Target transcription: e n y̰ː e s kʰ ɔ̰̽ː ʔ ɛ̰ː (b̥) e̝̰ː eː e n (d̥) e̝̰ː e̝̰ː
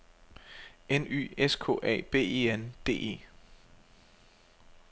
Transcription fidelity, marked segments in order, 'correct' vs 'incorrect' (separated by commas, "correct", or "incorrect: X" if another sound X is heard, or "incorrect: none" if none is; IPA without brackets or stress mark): correct, correct